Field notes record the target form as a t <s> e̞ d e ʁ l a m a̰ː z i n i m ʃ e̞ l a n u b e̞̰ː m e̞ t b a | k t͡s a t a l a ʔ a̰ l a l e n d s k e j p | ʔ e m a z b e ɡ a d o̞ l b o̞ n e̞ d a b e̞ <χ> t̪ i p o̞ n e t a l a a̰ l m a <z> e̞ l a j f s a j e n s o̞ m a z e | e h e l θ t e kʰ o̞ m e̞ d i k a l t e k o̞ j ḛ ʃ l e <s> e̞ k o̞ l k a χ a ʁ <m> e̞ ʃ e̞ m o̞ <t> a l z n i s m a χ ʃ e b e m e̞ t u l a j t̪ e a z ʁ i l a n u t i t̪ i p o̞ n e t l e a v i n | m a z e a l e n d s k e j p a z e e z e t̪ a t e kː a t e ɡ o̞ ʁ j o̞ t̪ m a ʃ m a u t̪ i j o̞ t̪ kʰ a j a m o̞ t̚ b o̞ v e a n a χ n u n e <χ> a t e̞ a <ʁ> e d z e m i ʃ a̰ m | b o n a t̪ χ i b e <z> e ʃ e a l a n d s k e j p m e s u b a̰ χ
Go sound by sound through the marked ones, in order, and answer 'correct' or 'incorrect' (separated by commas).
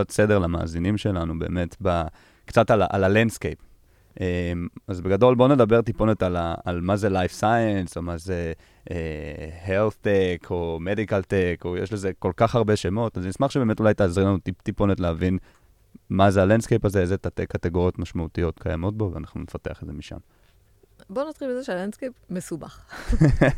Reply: correct, incorrect, correct, incorrect, incorrect, correct, incorrect, incorrect, correct